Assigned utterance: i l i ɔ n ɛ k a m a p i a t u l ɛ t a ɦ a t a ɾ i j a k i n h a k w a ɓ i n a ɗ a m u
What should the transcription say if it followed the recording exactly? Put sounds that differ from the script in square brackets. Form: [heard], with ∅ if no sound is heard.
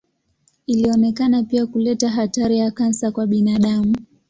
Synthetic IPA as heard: i l i ɔ n ɛ k a [n] a p i a [k] u l ɛ t a ɦ a t a ɾ i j a k [a] n [s] a k w a ɓ i n a ɗ a m u